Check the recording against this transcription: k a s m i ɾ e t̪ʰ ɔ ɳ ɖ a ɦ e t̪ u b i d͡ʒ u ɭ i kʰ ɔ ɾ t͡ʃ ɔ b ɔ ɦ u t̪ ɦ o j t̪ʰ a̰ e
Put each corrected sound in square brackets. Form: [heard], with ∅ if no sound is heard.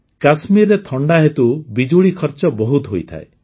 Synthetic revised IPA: k a s m i ɾ e t̪ʰ ɔ ɳ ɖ a ɦ e t̪ u b i d͡ʒ u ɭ i kʰ ɔ ɾ t͡ʃ ɔ b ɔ ɦ u t̪ ɦ o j t̪ʰ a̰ e

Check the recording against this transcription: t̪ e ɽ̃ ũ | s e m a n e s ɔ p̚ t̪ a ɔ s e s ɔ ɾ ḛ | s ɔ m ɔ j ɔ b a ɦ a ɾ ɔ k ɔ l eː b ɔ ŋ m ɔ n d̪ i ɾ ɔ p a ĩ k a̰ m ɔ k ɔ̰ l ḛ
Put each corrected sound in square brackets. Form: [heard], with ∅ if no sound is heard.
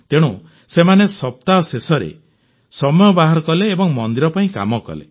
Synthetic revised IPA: t̪ e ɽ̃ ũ | s e m a n e s ɔ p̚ t̪ a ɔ s e s ɔ ɾ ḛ | s ɔ m ɔ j ɔ b a ɦ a ɾ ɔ k ɔ l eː b ɔ ŋ m ɔ n d̪ i ɾ ɔ p a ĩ k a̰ m ɔ k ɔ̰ l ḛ

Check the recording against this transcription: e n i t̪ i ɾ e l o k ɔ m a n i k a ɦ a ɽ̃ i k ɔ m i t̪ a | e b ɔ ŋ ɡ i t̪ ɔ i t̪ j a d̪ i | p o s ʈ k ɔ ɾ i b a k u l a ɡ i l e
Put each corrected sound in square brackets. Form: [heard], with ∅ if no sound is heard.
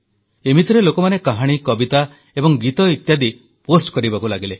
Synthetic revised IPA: e [m] i t̪ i ɾ e l o k ɔ m a n [e] k a ɦ a ɽ̃ i k ɔ [b] i t̪ a | e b ɔ ŋ ɡ i t̪ ɔ i t̪ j a d̪ i | p o s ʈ k ɔ ɾ i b a k u l a ɡ i l e

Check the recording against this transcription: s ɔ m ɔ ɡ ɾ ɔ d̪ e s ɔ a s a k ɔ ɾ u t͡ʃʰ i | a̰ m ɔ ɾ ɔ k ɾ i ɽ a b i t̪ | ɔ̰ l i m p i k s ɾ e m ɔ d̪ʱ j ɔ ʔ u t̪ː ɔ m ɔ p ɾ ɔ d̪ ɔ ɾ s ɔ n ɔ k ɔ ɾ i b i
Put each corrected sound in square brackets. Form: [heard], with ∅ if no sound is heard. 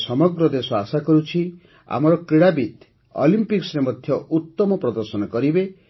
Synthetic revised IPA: s ɔ m ɔ ɡ ɾ ɔ d̪ e s ɔ a s a k ɔ ɾ u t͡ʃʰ i | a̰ m ɔ ɾ ɔ k ɾ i ɽ a b i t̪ | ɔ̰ l i m p i k s ɾ e m ɔ d̪ʱ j ɔ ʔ u t̪ː ɔ m ɔ p ɾ ɔ d̪ ɔ ɾ s ɔ n ɔ k ɔ ɾ i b [e]

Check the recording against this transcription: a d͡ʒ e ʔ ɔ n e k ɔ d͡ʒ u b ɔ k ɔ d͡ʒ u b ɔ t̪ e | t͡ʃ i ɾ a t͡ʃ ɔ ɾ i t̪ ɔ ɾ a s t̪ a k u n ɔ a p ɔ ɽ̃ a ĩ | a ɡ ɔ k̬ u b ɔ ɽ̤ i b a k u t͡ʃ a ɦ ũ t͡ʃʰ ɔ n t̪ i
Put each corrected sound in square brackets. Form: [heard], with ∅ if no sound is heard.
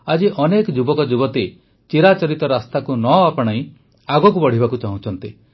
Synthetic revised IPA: a d͡ʒ [i] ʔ ɔ n e k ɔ d͡ʒ u b ɔ k ɔ d͡ʒ u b ɔ t̪ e | t͡ʃ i ɾ a t͡ʃ ɔ ɾ i t̪ ɔ ɾ a s t̪ a k u n ɔ a p ɔ ɽ̃ a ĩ | a ɡ ɔ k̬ u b ɔ ɽ̤ i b a k u t͡ʃ a ɦ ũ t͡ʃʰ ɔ n t̪ i

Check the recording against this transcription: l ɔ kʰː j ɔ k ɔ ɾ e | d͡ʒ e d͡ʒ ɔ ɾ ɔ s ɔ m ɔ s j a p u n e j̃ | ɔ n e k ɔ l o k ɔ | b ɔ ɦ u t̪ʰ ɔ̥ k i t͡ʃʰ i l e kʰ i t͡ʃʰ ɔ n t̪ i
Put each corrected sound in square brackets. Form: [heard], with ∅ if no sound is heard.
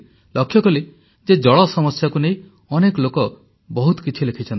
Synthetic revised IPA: l ɔ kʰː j ɔ k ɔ [l] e | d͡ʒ e d͡ʒ ɔ [ɭ] ɔ s ɔ m ɔ s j a [k] u n e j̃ | ɔ n e k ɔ l o k ɔ | b ɔ ɦ u [t̪] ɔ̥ k i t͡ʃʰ i l e kʰ i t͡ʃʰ ɔ n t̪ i

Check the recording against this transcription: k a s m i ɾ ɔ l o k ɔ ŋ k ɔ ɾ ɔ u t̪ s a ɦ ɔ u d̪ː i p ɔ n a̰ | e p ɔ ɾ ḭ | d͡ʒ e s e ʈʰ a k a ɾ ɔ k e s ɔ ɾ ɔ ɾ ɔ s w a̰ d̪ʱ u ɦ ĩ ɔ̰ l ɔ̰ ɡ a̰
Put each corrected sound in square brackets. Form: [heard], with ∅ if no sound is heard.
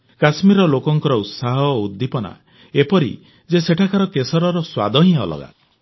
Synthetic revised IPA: k a s m i ɾ ɔ l o k ɔ ŋ k ɔ ɾ ɔ u t̪ s a ɦ ɔ u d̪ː i p ɔ n a̰ | e p ɔ ɾ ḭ | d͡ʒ e s e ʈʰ a k a ɾ ɔ k e s ɔ ɾ ɔ ɾ ɔ s w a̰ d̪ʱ [ɔ] ɦ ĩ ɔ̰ l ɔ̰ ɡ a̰

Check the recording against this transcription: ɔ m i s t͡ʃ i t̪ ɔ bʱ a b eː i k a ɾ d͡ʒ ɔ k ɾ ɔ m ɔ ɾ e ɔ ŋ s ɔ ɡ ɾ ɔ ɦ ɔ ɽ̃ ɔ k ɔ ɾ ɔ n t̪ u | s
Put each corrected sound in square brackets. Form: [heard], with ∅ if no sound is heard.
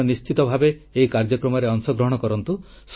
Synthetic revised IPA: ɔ [n] i s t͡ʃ i t̪ ɔ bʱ a b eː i k a ɾ d͡ʒ ɔ k ɾ ɔ m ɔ ɾ e ɔ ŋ s ɔ ɡ ɾ ɔ ɦ ɔ ɽ̃ ɔ k ɔ ɾ ɔ n t̪ u | s

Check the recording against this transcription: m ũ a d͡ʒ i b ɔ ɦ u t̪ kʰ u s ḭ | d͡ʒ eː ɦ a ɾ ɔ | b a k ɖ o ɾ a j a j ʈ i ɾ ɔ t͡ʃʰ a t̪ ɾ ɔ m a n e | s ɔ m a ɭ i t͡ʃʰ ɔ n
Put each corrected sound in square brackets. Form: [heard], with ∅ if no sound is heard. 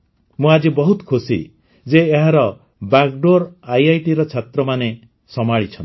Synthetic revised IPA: m ũ a d͡ʒ i b ɔ ɦ u t̪ kʰ u s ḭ | d͡ʒ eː ɦ a ɾ ɔ | b a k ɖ o ɾ a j a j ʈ i ɾ ɔ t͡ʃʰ a t̪ ɾ ɔ m a n e | s ɔ m a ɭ i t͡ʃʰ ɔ n

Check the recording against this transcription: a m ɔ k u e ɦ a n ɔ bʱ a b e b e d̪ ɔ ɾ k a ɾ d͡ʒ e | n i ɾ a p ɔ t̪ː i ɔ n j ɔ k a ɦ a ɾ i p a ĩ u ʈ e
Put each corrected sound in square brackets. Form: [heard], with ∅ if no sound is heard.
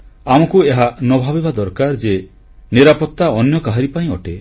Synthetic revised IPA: a m ɔ k u e ɦ a n ɔ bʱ a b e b [a] d̪ ɔ ɾ k a ɾ d͡ʒ e | n i ɾ a p ɔ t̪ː [a] ɔ n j ɔ k a ɦ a ɾ i p a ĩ [ɔ] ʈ e

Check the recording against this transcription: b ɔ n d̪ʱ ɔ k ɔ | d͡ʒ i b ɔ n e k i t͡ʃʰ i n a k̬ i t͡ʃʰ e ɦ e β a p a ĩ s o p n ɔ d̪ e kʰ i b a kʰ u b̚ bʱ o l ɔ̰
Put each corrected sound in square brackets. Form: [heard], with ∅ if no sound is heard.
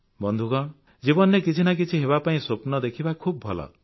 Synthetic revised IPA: b ɔ n d̪ʱ [u] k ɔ | d͡ʒ i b ɔ n e k i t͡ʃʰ i n a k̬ i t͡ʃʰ [i] ɦ e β a p a ĩ s o p n ɔ d̪ e kʰ i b a kʰ u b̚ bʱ [ɔ] l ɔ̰

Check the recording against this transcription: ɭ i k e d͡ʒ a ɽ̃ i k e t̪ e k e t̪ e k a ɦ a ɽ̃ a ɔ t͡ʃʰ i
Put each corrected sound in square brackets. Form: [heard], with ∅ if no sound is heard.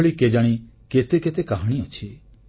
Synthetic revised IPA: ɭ i k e d͡ʒ a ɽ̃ i k e t̪ e k e t̪ e k a ɦ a ɽ̃ [i] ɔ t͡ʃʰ i

